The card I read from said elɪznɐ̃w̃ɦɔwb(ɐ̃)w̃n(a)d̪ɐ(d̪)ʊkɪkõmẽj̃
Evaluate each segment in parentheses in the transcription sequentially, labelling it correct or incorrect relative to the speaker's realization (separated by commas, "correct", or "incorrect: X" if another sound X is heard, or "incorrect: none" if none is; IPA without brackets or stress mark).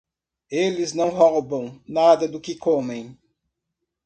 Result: correct, correct, correct